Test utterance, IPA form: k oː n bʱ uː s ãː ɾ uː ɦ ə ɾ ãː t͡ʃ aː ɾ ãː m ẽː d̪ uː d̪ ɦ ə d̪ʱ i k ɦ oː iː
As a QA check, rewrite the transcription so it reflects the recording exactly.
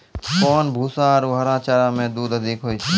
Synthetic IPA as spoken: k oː n bʱ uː s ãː ɾ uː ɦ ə ɾ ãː t͡ʃ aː ɾ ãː m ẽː d̪ uː d̪ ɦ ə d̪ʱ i k ɦ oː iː